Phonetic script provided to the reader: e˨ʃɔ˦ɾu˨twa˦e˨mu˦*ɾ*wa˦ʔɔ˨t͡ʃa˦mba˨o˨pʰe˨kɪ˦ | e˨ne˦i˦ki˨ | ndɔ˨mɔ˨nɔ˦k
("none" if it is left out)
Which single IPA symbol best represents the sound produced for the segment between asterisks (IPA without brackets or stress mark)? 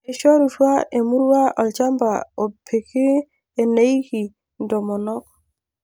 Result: ɾ